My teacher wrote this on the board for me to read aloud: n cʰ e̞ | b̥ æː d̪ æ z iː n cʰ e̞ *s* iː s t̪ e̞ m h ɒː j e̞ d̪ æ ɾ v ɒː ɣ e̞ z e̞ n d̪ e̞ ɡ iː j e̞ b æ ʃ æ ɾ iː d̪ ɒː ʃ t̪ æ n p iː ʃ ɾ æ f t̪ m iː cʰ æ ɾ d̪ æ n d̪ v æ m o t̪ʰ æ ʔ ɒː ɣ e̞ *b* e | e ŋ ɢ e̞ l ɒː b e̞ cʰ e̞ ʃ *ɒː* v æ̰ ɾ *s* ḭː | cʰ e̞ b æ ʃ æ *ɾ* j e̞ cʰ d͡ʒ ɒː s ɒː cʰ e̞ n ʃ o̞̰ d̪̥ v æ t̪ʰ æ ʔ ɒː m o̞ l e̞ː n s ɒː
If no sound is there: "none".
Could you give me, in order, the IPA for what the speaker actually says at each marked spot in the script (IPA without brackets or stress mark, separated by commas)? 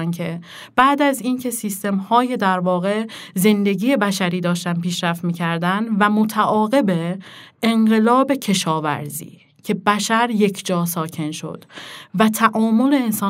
s, b, ɒː, z, ɾ